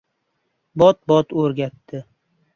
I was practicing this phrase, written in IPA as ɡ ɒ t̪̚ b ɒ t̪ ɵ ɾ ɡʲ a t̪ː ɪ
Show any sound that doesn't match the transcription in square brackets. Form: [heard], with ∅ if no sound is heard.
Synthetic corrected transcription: [b] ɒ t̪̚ b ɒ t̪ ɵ ɾ ɡʲ a t̪ː ɪ